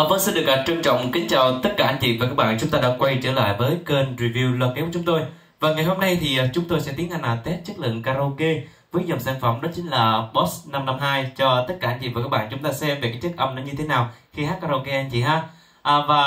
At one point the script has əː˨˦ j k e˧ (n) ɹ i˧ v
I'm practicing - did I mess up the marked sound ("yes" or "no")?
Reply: no